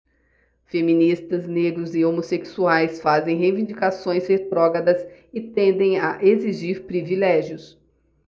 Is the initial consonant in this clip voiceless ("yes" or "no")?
yes